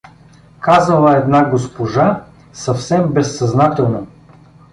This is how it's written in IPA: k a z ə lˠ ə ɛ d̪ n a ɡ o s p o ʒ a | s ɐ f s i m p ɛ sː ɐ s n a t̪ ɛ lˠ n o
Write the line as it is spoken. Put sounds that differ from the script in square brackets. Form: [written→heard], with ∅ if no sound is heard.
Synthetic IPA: k a z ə lˠ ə ɛ d̪ n a ɡ o s p o ʒ a | s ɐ f s [i→ɛ] m [p→b] ɛ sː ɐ [s→z] n a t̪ ɛ lˠ n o